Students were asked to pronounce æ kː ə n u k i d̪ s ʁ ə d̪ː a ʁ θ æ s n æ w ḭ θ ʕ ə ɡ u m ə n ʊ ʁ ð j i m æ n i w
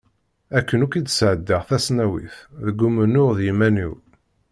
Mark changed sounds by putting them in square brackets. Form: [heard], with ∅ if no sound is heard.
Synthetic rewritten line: æ kː ə n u k i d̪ s [ʕ] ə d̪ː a ʁ θ æ s n æ w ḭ θ [ð] ə ɡ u m ə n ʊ ʁ ð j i m æ n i w